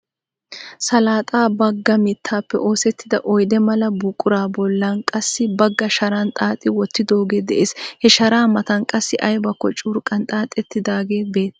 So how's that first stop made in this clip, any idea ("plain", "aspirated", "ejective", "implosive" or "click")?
ejective